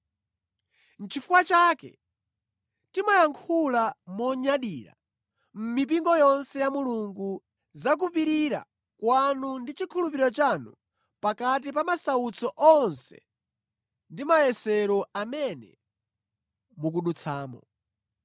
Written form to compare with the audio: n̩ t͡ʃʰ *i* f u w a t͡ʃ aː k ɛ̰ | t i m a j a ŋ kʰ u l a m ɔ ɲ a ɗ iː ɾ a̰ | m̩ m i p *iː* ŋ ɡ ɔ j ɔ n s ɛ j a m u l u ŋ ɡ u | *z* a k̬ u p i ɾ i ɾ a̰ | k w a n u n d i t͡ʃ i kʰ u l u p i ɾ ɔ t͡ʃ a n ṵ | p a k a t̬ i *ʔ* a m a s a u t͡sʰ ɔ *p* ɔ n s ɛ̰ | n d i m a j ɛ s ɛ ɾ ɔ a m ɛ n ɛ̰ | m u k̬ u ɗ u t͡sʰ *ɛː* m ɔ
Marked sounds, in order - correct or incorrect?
correct, incorrect: i, correct, incorrect: p, incorrect: ʔ, incorrect: aː

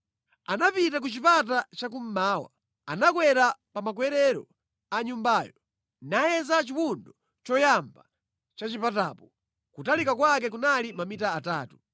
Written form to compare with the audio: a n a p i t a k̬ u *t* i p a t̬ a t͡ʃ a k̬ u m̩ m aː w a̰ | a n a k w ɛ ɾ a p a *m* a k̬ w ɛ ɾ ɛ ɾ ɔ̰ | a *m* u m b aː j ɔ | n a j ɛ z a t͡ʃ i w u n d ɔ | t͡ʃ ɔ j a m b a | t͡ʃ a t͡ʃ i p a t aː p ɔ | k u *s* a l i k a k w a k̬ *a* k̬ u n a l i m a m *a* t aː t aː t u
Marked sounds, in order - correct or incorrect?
incorrect: t͡ʃ, correct, incorrect: ɲ, incorrect: t, incorrect: ɛ, incorrect: i

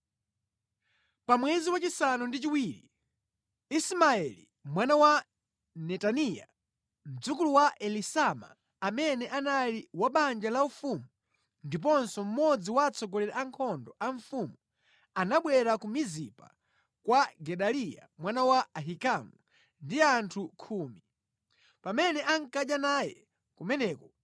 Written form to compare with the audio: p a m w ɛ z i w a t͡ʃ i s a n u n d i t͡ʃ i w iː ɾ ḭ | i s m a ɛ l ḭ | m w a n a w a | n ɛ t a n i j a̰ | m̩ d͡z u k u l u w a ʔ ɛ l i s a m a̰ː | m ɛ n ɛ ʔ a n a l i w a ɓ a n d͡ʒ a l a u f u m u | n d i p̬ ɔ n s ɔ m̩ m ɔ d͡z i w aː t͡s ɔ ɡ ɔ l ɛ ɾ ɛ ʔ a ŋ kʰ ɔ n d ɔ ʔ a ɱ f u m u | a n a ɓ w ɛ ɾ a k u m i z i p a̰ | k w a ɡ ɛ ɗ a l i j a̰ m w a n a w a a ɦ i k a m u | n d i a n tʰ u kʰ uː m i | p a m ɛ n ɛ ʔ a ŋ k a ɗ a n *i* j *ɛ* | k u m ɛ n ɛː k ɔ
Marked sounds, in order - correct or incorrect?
incorrect: a, correct

